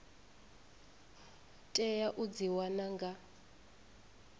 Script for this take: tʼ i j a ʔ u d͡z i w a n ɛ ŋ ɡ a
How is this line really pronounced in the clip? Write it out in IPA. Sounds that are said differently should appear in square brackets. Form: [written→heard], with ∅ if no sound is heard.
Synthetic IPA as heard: tʼ [i→ɛ] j a ʔ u d͡z i w a n [ɛ→a] ŋ ɡ a